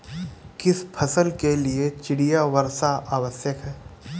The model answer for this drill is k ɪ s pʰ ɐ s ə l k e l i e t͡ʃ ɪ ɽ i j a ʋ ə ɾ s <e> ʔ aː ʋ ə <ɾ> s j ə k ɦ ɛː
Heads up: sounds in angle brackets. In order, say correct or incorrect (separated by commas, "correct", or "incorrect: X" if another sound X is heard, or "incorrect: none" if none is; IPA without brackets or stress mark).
incorrect: a, incorrect: none